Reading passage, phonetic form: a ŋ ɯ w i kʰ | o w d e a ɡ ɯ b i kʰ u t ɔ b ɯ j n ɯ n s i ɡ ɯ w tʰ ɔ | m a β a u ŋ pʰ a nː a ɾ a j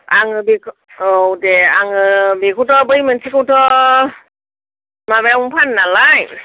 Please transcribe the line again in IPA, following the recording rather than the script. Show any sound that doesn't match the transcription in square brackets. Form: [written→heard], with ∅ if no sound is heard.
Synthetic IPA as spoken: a ŋ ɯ [w→b] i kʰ | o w d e a [ɡ→ŋ] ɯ b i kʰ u t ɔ b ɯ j [n→m] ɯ n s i [ɡ→k] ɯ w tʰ ɔ | m a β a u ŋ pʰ a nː a [ɾ→l] a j

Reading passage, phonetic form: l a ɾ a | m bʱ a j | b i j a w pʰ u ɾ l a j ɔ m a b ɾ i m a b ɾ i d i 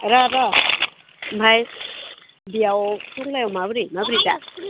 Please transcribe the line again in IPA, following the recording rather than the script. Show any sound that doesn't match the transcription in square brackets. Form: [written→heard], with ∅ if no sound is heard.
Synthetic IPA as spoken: [l→ɾ] a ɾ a | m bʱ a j | b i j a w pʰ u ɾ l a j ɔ m a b ɾ i m a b ɾ i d [i→a]

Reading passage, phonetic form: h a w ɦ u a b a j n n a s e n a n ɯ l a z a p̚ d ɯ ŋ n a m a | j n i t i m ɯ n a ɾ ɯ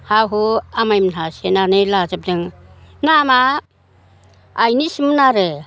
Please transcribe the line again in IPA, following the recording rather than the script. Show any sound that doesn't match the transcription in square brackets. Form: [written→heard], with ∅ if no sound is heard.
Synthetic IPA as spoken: h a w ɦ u a [b→m] a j [n→m] n a s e n a n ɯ l a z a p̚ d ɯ ŋ n a m a | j n i [t→s] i m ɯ n a ɾ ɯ

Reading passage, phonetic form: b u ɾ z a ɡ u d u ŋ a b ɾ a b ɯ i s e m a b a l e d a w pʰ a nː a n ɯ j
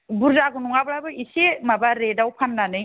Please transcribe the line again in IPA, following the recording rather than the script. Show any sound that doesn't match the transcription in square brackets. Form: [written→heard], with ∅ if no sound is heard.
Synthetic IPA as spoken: b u ɾ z a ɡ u [d→n] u ŋ a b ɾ a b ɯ i s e m a b a [l→ɾ] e d a w pʰ a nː a n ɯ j

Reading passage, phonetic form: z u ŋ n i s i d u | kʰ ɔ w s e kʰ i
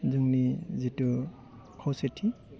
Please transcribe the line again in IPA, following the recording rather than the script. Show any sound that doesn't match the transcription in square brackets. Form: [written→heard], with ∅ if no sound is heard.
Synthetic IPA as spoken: z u ŋ n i [s→z] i [d→t] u | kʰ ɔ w s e [kʰ→tʰ] i

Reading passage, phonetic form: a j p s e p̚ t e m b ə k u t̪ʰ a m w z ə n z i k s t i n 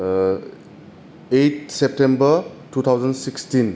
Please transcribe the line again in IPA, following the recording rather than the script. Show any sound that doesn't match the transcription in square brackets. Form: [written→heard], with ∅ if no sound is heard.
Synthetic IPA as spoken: [a→e] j [p→t] s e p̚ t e m b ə [k→t] u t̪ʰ a [m→∅] w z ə n [z→s] i k s t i n

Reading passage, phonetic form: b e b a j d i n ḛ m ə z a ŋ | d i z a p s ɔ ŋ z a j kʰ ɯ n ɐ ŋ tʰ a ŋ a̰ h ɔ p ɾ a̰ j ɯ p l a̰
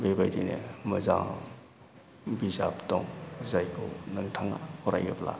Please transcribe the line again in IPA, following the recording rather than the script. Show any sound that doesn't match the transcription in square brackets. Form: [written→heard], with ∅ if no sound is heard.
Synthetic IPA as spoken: b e b a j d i n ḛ m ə z a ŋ | [d→b] i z a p [s→t] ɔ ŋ z a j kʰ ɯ n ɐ ŋ tʰ a ŋ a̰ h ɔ [p→∅] ɾ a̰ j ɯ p l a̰

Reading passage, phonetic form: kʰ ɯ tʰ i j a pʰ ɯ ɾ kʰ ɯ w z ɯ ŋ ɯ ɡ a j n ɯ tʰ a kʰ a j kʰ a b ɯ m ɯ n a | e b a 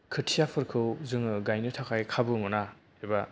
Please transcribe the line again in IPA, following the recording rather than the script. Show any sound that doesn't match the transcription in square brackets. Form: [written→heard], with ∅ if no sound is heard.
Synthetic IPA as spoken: kʰ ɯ tʰ i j a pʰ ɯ ɾ kʰ ɯ w z ɯ ŋ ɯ ɡ a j n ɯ tʰ a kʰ a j kʰ a b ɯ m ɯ n a | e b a

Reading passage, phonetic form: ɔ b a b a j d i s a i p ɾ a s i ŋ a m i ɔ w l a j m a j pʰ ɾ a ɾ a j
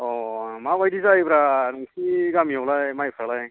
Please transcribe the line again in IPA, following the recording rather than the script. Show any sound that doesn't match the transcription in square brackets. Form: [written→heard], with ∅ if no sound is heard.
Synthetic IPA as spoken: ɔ [b→m] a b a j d i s a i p ɾ a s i [ŋ→ɡ] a m i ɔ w l a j m a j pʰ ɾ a [ɾ→l] a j

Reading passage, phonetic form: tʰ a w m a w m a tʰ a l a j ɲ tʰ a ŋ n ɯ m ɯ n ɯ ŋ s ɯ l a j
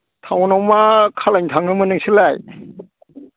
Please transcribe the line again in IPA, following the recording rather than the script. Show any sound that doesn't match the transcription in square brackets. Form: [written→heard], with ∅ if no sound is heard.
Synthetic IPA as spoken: tʰ a w [m→n] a w m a [tʰ→kʰ] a l a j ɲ tʰ a ŋ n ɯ m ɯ n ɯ ŋ s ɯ l a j

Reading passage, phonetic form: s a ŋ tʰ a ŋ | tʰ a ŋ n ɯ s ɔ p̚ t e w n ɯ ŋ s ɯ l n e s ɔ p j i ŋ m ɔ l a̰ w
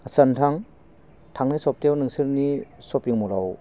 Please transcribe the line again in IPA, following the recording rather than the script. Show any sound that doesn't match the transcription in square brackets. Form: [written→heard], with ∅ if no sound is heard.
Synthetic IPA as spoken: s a [ŋ→n] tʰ a ŋ | tʰ a ŋ n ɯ s ɔ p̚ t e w n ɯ ŋ s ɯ [l→ɾ] n [e→i] s ɔ p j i ŋ m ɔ l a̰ w

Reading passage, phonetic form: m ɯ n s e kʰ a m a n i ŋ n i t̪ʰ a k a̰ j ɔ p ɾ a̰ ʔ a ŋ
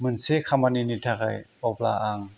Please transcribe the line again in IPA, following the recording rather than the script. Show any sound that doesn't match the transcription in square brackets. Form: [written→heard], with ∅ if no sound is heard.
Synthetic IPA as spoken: m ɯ n s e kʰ a m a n i [ŋ→∅] n i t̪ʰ a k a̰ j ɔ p [ɾ→l] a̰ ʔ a ŋ

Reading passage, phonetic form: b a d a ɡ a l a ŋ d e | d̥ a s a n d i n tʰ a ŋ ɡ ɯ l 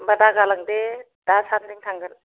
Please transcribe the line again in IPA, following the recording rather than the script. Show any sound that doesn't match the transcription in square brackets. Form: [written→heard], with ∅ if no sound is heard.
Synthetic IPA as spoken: b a d a ɡ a l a ŋ d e | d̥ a s a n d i [n→ŋ] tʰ a ŋ ɡ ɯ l

